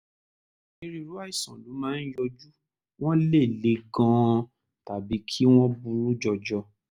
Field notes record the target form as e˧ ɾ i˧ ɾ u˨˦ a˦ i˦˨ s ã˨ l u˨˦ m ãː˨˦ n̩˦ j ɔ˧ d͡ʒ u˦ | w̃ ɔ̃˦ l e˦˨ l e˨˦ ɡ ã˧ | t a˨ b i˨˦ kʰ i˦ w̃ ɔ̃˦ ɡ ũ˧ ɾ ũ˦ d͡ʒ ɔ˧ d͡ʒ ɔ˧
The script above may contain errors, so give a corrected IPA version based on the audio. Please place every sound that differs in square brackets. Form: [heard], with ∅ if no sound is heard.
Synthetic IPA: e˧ ɾ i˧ ɾ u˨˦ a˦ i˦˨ s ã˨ l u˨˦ m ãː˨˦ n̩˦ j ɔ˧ d͡ʒ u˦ | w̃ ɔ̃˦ l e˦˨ l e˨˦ ɡ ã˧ | t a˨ b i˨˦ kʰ i˦ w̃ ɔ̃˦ [b] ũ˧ ɾ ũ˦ d͡ʒ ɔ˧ d͡ʒ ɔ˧